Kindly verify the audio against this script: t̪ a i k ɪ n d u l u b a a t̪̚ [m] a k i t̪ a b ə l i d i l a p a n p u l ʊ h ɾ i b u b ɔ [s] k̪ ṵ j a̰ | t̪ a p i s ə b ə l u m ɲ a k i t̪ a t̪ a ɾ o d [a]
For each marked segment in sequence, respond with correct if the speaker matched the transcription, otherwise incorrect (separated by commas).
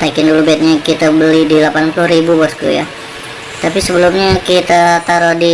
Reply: incorrect, correct, incorrect